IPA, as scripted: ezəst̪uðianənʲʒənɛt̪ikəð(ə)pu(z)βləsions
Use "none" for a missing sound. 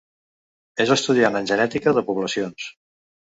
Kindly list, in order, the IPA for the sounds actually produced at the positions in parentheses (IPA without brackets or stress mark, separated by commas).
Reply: ə, none